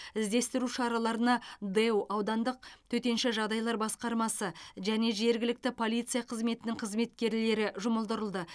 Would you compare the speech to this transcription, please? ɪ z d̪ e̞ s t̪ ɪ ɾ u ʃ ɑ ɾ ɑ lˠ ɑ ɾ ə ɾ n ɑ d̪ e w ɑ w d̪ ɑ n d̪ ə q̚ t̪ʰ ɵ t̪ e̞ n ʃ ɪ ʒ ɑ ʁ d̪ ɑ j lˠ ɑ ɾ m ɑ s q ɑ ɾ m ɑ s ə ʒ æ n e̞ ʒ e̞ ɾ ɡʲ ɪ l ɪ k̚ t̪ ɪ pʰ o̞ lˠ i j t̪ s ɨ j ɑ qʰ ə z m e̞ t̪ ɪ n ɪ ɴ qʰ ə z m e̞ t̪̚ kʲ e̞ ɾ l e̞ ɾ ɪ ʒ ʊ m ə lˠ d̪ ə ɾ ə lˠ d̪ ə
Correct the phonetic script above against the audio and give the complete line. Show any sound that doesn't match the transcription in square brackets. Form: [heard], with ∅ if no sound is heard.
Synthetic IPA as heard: ɪ z d̪ e̞ s t̪ ɪ ɾ u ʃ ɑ ɾ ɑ lˠ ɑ ɾ ə [∅] n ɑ d̪ e w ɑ w d̪ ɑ n d̪ ə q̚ t̪ʰ ɵ t̪ e̞ n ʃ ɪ ʒ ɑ ʁ d̪ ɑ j lˠ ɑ ɾ [b] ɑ s q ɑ ɾ m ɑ s ə ʒ æ n e̞ ʒ e̞ ɾ ɡʲ ɪ l ɪ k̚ t̪ ɪ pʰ o̞ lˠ i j t̪ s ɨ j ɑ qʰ ə z m e̞ t̪ ɪ n ɪ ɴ qʰ ə z m e̞ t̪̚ kʲ e̞ ɾ l e̞ ɾ ɪ ʒ ʊ m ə lˠ d̪ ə ɾ ə lˠ d̪ ə